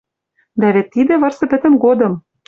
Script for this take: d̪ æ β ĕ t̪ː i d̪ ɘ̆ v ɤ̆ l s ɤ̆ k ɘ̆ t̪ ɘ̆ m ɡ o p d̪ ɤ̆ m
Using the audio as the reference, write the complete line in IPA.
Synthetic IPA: d̪ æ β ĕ t̪ː i d̪ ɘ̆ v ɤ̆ r s ɤ̆ p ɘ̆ t̪ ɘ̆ m ɡ o d̪ ɤ̆ m